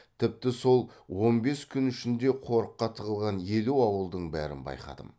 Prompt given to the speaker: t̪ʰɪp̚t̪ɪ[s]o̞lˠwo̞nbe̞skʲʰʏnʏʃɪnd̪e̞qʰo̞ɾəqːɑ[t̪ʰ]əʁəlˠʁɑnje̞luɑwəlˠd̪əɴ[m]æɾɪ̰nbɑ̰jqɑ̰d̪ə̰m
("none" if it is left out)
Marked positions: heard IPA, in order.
s, t̪ʰ, b

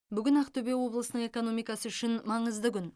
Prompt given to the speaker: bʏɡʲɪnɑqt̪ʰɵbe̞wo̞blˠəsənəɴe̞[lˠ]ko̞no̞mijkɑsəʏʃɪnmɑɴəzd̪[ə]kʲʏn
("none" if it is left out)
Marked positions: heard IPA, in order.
none, ə

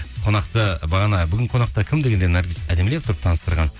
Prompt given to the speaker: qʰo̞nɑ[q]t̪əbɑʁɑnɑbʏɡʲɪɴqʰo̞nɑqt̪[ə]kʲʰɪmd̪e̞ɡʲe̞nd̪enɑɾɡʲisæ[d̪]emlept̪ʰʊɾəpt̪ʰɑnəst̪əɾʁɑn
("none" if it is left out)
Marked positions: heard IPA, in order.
q, ɑ, d̪

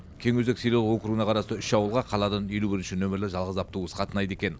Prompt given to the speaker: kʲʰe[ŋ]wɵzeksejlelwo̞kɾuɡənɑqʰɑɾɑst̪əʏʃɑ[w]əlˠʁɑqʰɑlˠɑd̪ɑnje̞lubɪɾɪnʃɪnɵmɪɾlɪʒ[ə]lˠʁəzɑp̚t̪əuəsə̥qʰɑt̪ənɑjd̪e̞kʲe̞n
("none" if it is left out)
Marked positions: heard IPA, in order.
ŋ, w, ɑ

